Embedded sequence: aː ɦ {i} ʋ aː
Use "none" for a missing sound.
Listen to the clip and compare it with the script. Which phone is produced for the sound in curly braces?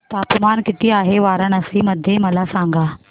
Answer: e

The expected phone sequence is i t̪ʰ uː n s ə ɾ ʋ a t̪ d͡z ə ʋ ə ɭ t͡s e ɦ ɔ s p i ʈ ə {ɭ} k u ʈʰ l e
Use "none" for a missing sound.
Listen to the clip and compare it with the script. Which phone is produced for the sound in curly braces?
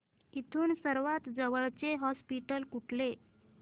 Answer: l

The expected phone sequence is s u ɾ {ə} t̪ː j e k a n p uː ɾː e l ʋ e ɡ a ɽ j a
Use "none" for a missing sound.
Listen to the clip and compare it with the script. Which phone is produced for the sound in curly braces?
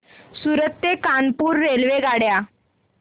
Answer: ə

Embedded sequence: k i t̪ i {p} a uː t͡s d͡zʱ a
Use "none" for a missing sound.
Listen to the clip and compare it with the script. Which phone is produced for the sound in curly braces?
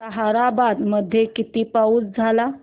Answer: p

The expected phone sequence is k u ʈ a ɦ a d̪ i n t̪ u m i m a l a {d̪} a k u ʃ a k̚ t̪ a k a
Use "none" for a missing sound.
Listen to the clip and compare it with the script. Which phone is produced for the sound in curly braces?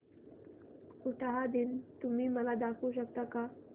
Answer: d̪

